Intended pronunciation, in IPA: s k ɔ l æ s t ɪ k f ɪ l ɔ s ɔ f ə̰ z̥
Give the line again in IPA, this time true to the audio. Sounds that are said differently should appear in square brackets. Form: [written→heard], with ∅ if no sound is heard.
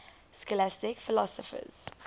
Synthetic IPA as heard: s k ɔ l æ s t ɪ k f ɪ l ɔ s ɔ f ə̰ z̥

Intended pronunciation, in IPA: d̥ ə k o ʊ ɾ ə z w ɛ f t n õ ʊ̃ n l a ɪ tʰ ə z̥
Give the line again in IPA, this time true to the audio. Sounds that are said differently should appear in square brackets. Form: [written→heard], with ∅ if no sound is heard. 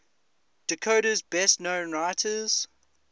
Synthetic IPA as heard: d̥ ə [k→kʰ] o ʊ ɾ ə z [w→b] ɛ [f→s] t n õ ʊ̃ n [l→ɹ] a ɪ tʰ ə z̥

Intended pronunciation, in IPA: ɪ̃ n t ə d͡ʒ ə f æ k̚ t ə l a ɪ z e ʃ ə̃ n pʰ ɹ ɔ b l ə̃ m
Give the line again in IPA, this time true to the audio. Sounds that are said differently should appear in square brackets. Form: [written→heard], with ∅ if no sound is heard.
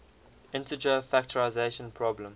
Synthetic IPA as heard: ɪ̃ n t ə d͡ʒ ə f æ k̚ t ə [l→ɹ] a ɪ z e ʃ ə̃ n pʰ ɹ ɔ b l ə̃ m

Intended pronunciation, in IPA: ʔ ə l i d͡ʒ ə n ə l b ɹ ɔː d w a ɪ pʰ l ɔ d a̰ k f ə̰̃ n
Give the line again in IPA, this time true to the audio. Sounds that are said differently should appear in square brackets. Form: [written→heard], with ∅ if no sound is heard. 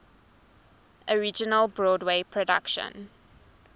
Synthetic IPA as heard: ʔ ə [l→ɹ] i d͡ʒ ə n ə l b ɹ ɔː d w [a→e] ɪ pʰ [l→ɹ] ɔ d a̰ k [f→ʃ] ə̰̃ n

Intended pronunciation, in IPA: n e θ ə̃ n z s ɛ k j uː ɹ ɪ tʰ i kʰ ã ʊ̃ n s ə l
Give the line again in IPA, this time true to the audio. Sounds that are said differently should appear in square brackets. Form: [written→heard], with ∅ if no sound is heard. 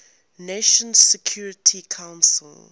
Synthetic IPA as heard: n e [θ→ʃ] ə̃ n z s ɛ [k→kʰ] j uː ɹ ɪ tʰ i kʰ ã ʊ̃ n s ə l

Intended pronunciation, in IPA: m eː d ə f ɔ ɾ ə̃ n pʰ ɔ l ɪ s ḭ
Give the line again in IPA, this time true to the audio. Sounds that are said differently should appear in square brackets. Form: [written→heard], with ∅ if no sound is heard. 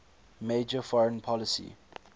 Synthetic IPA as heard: m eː [d→d͡ʒ] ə f ɔ [ɾ→ɹ] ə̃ n pʰ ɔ l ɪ s ḭ

